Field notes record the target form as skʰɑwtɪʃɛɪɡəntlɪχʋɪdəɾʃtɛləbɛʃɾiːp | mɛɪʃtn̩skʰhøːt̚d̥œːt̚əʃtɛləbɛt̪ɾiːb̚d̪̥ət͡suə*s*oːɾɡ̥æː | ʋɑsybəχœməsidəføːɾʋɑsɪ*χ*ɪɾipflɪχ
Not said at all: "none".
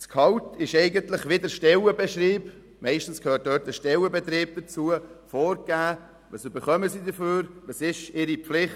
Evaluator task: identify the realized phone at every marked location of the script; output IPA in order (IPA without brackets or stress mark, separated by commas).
f, ʃ